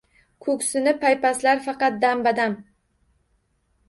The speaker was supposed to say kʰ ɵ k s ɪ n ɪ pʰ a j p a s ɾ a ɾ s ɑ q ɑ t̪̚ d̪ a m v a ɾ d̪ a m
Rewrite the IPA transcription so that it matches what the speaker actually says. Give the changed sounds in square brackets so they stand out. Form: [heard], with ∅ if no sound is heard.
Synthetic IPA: kʰ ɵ k s ɪ n ɪ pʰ a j p a s [l] a ɾ [f] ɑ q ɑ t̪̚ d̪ a m [b] a [∅] d̪ a m